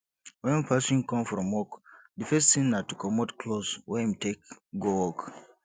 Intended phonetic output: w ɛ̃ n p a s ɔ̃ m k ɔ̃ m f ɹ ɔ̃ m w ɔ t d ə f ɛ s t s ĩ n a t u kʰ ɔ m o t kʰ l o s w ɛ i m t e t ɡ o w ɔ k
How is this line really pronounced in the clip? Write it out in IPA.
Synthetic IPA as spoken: w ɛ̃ n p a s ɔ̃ n k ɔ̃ m f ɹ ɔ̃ m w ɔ k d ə f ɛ s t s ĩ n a t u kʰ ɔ m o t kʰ l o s w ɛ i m t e k ɡ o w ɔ k